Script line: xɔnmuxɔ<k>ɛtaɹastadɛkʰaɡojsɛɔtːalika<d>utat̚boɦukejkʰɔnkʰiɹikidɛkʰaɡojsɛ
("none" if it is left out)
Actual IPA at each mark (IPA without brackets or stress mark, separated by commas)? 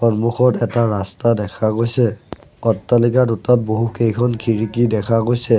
t, d